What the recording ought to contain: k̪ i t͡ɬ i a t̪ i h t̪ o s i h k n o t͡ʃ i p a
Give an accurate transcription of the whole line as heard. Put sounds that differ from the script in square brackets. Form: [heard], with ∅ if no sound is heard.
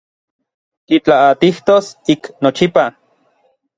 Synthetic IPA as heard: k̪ i t͡ɬ [a] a t̪ i h t̪ o s i [∅] k n o t͡ʃ i p a